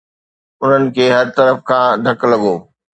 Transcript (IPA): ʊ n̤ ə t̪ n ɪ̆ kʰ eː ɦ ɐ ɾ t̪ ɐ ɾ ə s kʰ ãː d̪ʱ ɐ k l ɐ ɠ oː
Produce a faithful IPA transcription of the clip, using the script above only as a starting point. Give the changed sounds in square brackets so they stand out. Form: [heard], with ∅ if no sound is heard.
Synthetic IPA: ʊ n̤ ə [∅] n ɪ̆ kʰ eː ɦ ɐ ɾ t̪ ɐ ɾ ə [f] kʰ ãː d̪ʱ ɐ k l ɐ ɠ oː